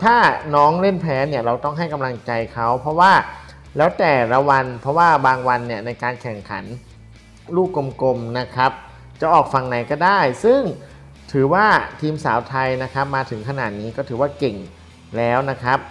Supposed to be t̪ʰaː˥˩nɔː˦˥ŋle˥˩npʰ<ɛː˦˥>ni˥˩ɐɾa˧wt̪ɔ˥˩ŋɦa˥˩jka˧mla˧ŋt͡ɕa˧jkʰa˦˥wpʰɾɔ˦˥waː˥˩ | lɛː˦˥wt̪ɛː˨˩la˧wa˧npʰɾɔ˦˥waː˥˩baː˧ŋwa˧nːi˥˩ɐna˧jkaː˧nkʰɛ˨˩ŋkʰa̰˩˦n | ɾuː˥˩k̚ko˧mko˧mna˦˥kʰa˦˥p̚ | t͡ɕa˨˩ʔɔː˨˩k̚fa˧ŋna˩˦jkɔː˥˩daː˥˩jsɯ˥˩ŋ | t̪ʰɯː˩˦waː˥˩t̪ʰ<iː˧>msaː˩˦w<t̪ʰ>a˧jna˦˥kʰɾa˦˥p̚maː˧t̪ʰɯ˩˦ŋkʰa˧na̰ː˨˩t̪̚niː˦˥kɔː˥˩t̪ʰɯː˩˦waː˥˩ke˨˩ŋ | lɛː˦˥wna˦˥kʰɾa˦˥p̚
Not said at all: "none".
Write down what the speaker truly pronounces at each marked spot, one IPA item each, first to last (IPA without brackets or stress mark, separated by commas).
ɛː˦˥, iː˧, t̪ʰ